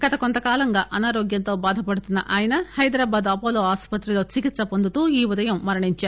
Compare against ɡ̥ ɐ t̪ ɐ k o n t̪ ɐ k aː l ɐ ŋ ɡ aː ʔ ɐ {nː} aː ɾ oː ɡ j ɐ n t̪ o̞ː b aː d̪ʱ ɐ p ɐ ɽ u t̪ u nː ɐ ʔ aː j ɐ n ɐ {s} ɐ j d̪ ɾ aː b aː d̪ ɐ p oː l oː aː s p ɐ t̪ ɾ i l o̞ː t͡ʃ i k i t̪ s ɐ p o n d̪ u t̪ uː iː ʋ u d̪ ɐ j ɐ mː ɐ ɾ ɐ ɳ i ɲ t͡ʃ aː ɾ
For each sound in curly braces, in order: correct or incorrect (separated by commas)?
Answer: incorrect, incorrect